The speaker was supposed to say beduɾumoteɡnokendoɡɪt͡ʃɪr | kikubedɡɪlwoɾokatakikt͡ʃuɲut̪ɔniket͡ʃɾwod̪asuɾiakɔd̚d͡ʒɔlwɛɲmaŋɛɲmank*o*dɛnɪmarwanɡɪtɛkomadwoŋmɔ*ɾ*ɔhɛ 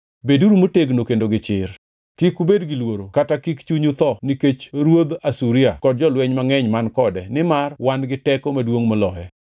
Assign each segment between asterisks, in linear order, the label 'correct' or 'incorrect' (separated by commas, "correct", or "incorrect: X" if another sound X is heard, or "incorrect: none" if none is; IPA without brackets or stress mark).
incorrect: ɔ, incorrect: l